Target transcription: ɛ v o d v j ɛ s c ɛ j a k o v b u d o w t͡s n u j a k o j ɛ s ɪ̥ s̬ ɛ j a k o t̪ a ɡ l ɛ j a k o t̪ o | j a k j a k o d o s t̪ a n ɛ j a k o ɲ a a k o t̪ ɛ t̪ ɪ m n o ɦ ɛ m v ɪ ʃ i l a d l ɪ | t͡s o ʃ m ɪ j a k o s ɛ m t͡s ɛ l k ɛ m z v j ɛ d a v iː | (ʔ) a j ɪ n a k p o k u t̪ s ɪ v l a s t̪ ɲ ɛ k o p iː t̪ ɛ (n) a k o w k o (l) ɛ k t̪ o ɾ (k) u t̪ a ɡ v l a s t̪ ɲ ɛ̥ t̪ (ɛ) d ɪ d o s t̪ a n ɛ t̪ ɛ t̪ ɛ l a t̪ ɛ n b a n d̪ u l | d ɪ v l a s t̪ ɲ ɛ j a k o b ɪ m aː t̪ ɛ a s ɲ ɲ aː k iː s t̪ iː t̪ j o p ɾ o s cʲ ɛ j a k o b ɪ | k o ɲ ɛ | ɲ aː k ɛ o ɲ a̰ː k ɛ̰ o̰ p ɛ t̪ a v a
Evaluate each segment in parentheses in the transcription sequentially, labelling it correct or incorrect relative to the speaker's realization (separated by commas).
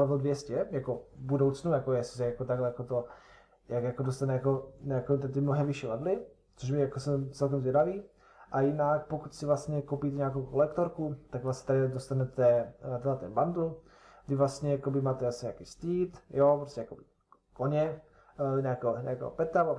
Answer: correct, incorrect, correct, correct, incorrect